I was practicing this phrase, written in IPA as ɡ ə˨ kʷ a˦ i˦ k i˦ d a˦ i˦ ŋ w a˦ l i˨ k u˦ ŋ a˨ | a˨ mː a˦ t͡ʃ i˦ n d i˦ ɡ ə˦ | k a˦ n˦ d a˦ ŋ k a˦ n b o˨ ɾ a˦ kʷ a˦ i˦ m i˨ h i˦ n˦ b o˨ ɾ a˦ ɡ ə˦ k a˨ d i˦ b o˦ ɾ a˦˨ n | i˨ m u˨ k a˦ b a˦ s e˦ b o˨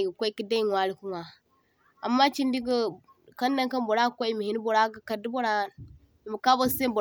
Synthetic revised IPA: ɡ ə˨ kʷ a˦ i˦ k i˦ d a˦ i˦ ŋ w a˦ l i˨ k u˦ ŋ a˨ | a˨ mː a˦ t͡ʃ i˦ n d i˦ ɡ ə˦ | k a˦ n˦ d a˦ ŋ k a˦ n b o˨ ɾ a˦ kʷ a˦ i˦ m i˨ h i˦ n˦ b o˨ ɾ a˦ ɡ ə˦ k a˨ d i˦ b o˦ ɾ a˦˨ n | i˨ m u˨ k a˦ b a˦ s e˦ b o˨